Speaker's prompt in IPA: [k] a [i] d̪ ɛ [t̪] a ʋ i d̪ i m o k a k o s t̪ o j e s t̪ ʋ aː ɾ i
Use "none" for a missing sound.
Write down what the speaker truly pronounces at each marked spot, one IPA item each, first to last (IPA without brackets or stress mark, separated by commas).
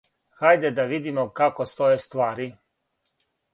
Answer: x, j, d̪